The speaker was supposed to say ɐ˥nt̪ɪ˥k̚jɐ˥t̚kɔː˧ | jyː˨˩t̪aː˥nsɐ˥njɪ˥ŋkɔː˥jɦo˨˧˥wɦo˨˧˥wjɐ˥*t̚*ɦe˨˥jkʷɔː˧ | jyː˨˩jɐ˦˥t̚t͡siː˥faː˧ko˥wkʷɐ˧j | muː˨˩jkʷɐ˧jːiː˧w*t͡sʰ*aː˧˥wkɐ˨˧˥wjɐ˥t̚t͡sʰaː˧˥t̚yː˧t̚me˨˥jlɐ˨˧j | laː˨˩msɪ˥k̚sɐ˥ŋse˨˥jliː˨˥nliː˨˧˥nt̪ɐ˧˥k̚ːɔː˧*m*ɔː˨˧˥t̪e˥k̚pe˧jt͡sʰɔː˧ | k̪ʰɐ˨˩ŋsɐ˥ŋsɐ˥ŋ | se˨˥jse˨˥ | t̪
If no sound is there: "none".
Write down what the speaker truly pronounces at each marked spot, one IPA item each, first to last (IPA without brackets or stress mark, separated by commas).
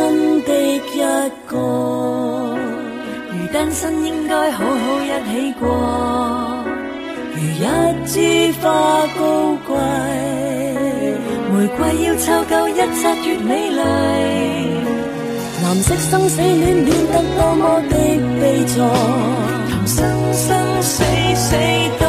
t̚, t͡sʰ, m